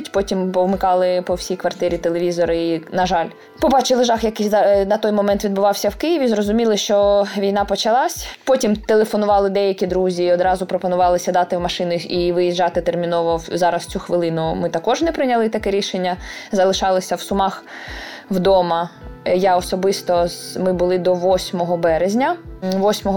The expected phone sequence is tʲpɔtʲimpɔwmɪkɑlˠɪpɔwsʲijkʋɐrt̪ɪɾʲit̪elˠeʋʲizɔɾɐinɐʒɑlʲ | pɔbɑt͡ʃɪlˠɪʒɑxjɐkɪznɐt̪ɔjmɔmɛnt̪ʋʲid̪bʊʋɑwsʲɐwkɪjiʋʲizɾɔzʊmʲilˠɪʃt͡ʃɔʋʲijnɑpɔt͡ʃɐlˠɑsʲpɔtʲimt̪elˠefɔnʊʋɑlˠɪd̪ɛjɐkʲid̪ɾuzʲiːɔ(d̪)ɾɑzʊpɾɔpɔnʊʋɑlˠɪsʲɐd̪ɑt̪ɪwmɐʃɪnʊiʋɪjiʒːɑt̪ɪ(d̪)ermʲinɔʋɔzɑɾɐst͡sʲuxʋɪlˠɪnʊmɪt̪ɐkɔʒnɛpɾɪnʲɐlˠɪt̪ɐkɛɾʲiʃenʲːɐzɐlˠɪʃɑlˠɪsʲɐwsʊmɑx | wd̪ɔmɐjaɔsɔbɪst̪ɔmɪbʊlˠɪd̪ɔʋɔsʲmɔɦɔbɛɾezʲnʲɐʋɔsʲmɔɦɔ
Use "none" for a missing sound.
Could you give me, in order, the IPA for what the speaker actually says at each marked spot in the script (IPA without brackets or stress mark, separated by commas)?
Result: d̪, t̪